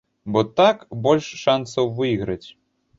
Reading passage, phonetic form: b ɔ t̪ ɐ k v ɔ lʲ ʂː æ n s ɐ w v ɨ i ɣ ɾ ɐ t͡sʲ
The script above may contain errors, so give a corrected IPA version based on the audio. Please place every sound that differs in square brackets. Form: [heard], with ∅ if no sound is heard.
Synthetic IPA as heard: b ɔ t̪ [a] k [b] ɔ lʲ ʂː [a] n s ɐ w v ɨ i ɣ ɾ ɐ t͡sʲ